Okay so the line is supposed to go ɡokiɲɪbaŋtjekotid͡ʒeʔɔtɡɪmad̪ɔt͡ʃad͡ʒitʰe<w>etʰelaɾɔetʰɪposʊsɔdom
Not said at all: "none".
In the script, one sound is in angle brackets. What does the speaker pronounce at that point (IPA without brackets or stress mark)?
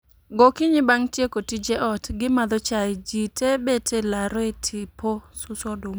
b